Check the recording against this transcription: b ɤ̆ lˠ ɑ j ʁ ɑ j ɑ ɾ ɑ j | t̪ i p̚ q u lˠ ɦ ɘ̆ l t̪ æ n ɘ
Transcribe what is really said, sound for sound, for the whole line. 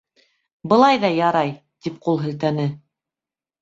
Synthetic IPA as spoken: b ɤ̆ lˠ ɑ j ð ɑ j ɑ ɾ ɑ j | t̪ i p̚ q u lˠ ɦ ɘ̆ l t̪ æ n ɘ